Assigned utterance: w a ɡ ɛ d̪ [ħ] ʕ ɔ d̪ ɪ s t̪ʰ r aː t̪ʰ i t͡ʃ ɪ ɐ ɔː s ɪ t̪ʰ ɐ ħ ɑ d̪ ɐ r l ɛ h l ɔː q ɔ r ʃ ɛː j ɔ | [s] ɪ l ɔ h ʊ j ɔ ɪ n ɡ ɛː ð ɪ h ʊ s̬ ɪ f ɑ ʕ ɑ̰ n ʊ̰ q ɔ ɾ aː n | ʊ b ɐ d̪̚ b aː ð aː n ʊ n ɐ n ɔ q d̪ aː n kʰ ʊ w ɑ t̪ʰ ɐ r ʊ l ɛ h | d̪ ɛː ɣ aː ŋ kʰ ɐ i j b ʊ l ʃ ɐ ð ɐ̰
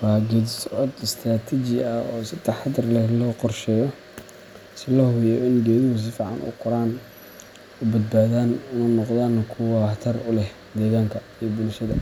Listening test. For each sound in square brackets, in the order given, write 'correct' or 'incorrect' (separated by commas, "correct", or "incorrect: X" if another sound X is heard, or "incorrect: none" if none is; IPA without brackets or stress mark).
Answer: incorrect: s, correct